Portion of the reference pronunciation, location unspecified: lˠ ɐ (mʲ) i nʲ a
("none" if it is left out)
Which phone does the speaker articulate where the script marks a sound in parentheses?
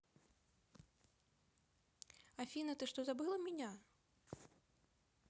mʲ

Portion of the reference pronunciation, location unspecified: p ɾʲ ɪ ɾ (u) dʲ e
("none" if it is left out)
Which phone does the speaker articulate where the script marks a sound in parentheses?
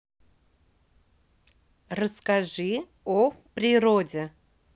o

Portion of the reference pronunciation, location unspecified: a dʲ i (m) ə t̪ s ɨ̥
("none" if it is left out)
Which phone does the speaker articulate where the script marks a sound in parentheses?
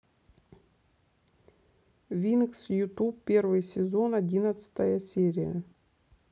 n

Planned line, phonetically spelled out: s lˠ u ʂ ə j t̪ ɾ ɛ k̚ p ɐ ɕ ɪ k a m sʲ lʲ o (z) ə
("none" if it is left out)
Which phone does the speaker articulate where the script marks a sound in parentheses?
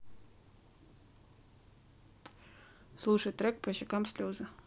z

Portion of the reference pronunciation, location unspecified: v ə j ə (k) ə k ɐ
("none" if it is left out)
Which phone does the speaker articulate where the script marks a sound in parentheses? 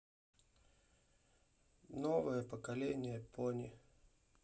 p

